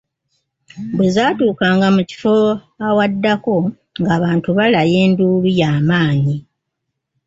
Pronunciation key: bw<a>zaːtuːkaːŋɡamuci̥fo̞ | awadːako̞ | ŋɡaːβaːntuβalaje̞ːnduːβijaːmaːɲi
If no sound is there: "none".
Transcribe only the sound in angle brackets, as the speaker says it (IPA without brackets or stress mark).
e